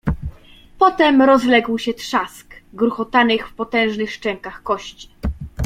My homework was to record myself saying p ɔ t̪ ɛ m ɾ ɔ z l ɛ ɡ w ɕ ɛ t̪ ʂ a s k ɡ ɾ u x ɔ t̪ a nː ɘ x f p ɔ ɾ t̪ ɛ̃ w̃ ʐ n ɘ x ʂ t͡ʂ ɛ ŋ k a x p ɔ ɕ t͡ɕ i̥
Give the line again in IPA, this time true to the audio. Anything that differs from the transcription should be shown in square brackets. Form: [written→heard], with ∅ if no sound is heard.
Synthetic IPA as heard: p ɔ t̪ ɛ m ɾ ɔ z l ɛ ɡ w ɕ ɛ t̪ ʂ a s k ɡ ɾ u x ɔ t̪ a [nː→n] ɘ x f p ɔ [ɾ→∅] t̪ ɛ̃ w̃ ʐ n ɘ x ʂ t͡ʂ ɛ ŋ k a x [p→k] ɔ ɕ t͡ɕ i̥